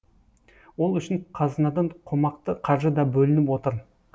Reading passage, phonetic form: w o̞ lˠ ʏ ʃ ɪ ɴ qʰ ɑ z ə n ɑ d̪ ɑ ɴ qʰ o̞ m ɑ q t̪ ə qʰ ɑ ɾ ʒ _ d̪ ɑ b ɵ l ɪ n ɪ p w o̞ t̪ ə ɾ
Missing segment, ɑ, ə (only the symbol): ə